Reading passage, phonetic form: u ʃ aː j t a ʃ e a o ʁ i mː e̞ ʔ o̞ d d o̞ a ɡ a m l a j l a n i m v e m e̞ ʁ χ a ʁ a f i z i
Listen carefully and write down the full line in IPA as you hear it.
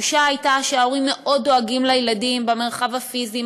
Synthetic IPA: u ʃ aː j t a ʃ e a o ʁ i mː e̞ ʔ o̞ d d o̞ a ɡ i m l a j l a d i m b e m e̞ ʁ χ a v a f i z i